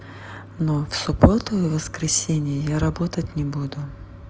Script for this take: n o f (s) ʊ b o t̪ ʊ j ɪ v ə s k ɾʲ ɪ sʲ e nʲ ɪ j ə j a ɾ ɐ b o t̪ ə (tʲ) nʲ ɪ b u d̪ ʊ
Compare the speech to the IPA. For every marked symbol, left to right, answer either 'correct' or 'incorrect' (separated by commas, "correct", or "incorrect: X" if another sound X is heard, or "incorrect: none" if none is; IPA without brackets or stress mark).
correct, correct